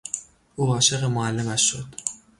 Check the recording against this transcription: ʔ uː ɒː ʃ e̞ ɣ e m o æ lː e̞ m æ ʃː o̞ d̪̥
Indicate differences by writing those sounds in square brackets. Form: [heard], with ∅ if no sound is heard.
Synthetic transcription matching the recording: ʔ uː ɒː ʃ e̞ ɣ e m o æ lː e̞ m æ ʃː o̞ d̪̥